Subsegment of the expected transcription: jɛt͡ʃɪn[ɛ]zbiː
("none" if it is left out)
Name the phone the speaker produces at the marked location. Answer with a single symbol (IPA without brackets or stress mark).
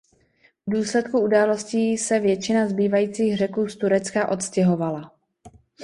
a